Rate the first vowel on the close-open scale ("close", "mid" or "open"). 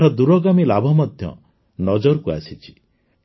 mid